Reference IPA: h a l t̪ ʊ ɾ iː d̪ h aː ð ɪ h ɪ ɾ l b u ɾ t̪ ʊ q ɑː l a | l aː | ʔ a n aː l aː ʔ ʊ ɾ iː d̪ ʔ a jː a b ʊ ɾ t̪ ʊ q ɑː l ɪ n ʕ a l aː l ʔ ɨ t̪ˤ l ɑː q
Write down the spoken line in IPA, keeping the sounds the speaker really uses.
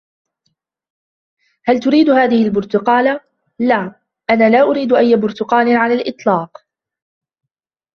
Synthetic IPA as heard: h a l t̪ ʊ ɾ iː d̪ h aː ð ɪ h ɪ l b ʊ ɾ t̪ ʊ q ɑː l a | l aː | ʔ a n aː l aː ʔ ʊ ɾ iː d̪ ʔ a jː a b ʊ ɾ t̪ ʊ q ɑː l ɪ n ʕ a l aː l ʔ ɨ t̪ˤ l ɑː q